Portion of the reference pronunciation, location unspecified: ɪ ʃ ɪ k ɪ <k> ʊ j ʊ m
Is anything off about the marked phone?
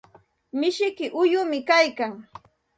yes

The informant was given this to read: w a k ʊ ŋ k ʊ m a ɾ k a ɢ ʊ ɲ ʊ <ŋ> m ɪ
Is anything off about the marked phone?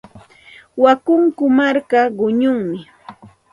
no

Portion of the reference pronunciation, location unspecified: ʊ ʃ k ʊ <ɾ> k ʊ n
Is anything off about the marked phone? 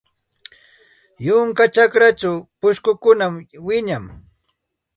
yes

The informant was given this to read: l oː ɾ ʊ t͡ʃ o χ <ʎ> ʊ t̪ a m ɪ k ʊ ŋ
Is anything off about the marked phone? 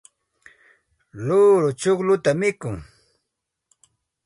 yes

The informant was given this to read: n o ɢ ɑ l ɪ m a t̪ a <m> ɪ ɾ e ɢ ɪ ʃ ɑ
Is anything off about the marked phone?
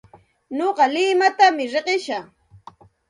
no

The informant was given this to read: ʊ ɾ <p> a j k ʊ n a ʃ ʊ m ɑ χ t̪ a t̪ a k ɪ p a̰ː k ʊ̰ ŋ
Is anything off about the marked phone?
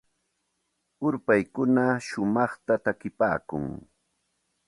no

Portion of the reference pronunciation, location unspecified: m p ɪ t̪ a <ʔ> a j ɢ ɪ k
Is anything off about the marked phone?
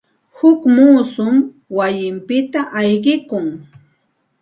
no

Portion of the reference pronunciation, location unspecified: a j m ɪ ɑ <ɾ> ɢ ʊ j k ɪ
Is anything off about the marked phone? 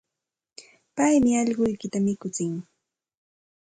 yes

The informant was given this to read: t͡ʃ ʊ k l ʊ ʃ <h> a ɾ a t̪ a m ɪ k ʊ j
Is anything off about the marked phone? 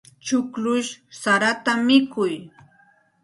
yes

